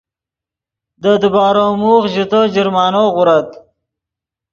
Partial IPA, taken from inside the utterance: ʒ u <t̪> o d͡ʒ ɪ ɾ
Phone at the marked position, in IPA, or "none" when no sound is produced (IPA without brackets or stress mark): t̪